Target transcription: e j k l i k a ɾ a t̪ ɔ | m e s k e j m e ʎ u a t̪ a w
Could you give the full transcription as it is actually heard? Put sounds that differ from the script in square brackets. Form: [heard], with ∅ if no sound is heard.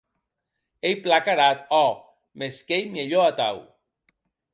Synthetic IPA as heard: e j [p] l [a] k a ɾ a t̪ ɔ | m e s k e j m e ʎ [o] a t̪ a w

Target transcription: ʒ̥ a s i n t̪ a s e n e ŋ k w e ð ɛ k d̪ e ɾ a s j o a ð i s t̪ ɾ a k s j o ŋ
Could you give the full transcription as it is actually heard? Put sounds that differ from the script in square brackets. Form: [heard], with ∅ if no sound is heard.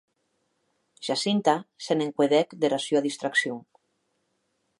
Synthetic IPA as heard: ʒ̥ a s i n t̪ a s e n e ŋ k w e ð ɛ k d̪ e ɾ a s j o a ð i s t̪ ɾ a k s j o ŋ

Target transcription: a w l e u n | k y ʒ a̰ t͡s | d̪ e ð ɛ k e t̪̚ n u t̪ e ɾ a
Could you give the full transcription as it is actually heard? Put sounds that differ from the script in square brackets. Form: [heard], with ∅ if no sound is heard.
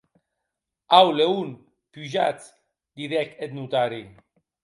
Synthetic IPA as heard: a w l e u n | [p] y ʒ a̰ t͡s | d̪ [i] ð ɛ k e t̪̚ n u t̪ [a] ɾ [i]

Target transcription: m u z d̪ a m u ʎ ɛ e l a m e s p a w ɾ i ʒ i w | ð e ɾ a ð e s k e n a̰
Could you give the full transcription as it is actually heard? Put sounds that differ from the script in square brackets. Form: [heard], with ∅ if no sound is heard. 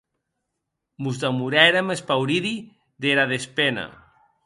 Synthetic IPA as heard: m u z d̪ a m u [ɾ] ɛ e [ɾ] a m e s p a w ɾ i [ð] i [∅] | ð e ɾ a ð e s [p] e n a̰

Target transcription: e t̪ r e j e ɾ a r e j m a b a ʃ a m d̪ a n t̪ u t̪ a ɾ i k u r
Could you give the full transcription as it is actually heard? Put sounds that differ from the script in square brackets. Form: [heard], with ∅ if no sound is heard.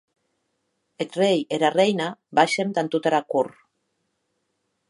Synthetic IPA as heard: e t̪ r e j e ɾ a r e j [n] a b a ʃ [e] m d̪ a n t̪ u t̪ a ɾ [a] k u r

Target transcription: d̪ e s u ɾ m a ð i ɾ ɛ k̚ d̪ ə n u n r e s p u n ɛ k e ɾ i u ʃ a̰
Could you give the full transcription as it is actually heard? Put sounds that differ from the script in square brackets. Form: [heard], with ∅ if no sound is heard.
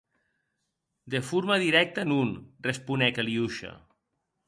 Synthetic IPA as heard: d̪ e [f] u ɾ m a ð i ɾ ɛ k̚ [t̪] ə n u n r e s p u n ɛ k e [l] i u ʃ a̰

